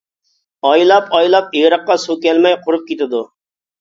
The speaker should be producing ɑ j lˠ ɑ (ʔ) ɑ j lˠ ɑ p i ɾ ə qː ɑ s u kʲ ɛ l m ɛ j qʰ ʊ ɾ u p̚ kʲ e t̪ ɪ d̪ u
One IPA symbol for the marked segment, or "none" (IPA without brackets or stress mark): p